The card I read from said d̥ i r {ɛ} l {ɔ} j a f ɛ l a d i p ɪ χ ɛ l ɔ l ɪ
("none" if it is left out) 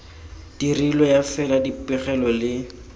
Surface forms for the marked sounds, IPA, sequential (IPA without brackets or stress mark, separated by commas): i, ɔ